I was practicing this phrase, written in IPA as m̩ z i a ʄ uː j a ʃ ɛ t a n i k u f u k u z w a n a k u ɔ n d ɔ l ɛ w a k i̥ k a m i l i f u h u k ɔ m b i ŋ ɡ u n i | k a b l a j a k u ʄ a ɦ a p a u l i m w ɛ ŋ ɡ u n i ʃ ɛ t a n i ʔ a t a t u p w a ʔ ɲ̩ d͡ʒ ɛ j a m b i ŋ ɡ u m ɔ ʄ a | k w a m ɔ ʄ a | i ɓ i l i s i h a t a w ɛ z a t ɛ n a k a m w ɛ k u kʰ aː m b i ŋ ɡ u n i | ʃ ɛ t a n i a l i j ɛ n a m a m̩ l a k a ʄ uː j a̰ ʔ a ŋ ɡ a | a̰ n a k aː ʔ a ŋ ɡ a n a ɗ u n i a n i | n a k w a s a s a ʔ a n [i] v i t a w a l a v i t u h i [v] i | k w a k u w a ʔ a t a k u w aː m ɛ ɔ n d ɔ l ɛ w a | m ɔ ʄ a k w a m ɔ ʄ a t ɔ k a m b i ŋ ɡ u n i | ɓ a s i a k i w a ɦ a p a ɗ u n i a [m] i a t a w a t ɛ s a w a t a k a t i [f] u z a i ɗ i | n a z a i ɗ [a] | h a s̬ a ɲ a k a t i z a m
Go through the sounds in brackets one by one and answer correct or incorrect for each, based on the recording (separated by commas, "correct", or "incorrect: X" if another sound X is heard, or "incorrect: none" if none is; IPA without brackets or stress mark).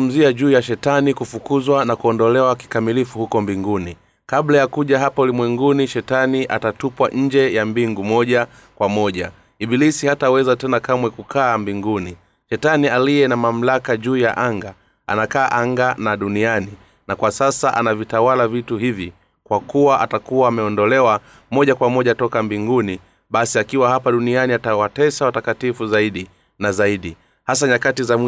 incorrect: a, correct, incorrect: n, correct, incorrect: i